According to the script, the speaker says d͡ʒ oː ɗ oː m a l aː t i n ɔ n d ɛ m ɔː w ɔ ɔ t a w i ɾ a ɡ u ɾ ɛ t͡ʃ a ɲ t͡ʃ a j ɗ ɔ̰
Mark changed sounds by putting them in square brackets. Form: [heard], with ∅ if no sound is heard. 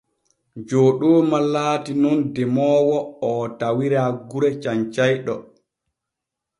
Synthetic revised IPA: d͡ʒ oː ɗ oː m a l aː t i n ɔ n d ɛ m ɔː w ɔ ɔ t a w i ɾ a ɡ u ɾ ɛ t͡ʃ a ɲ t͡ʃ a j ɗ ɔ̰